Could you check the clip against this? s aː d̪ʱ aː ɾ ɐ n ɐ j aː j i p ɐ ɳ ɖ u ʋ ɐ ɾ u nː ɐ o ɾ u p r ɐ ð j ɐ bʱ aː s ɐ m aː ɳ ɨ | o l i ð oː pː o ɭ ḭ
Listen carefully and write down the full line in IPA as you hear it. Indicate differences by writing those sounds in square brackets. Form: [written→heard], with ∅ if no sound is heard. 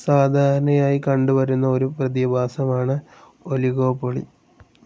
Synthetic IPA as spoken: s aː d̪ʱ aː ɾ ɐ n ɐ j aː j i [p→k] ɐ ɳ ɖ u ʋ ɐ ɾ u nː ɐ o ɾ u p r ɐ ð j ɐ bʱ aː s ɐ m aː ɳ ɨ | o l i [ð→ɣ] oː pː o ɭ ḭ